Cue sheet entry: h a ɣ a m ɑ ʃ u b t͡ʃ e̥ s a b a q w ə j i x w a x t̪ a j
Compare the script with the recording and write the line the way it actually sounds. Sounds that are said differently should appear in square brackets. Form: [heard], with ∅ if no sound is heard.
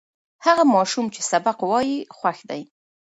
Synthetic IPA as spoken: h a ɣ a m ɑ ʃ u [m] t͡ʃ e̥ s a b a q w [ɑ] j i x w a x [d̪] a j